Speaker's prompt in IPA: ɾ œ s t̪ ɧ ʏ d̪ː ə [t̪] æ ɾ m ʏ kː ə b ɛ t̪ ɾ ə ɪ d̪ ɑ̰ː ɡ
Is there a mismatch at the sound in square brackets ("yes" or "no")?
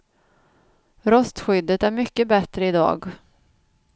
no